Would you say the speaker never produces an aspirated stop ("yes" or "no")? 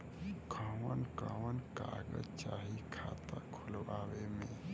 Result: no